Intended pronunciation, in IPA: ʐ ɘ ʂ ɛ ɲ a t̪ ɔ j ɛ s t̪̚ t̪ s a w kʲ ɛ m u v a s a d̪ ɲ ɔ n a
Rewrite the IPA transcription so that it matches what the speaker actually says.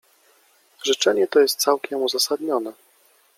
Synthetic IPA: ʐ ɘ t͡ʂ ɛ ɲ ɛ t̪ ɔ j ɛ s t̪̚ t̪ s a w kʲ ɛ m u z a s a d̪ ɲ ɔ n ɛ